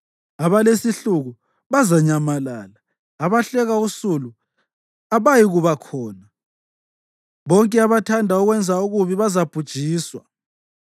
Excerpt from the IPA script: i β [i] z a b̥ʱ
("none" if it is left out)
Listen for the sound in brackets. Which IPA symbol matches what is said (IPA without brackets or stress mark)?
a